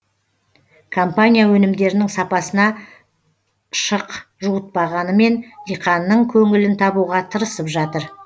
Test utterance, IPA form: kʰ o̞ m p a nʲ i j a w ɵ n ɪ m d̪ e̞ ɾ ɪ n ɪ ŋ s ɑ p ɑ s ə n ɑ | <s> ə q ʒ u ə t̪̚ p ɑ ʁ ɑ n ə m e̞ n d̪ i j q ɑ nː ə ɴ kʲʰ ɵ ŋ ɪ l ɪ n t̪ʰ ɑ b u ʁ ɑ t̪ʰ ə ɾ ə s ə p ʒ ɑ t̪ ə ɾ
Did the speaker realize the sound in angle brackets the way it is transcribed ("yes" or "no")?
no